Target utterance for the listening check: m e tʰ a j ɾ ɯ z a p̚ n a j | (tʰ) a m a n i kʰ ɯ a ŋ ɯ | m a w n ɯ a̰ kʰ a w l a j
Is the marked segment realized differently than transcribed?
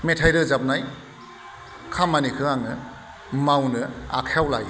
yes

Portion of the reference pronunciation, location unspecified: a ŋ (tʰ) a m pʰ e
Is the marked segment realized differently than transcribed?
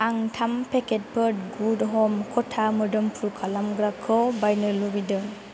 no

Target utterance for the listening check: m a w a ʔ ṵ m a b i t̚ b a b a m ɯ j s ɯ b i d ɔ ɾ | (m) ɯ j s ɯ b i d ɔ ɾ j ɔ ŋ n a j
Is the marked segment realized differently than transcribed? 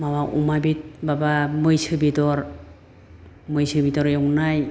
no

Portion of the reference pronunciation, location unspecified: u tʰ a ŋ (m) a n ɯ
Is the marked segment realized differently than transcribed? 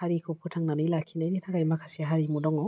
yes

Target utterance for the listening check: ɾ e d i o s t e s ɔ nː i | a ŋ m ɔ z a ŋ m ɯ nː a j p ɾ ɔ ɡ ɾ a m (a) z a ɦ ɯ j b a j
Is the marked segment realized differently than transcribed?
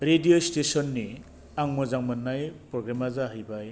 no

